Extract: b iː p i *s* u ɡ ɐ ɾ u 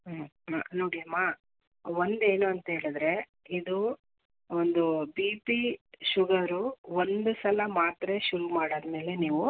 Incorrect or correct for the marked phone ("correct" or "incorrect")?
incorrect